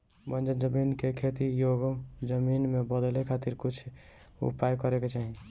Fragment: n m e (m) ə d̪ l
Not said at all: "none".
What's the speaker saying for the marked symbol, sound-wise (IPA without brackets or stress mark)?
b